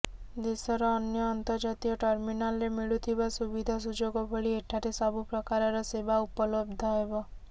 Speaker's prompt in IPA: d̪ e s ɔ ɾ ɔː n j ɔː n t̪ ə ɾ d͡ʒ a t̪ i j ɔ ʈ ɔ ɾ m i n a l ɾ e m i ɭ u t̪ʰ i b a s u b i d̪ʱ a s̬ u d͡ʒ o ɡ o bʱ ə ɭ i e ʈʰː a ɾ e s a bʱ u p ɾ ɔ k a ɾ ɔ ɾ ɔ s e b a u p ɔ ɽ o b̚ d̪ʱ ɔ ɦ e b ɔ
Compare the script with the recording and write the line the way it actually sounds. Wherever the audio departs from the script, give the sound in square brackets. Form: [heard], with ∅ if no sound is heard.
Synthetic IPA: d̪ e s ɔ ɾ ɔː n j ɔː n t̪ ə ɾ d͡ʒ a t̪ i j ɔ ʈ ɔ ɾ m i n a l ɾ e m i ɭ u t̪ʰ i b a s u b i d̪ʱ a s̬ u d͡ʒ o ɡ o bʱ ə ɭ i e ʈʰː a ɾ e s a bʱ u p ɾ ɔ k a ɾ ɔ ɾ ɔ s e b a u p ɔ [l] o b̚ d̪ʱ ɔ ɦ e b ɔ